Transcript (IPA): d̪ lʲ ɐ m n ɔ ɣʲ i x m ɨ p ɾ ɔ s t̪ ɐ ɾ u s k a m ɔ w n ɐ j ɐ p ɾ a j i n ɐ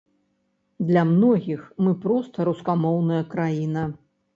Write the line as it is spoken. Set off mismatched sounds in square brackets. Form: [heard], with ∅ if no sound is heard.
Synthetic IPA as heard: d̪ lʲ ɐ m n ɔ ɣʲ i x m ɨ p ɾ ɔ s t̪ ɐ ɾ u s k a m ɔ w n ɐ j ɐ [k] ɾ a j i n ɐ